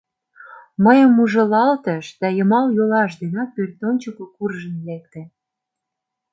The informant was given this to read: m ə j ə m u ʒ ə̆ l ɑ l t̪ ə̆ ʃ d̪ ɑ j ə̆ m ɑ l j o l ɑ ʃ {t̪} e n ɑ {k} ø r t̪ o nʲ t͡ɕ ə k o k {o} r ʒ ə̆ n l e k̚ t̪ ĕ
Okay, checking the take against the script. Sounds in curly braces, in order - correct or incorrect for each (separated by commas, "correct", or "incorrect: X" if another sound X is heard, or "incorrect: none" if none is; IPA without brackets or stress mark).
incorrect: d̪, incorrect: p, incorrect: u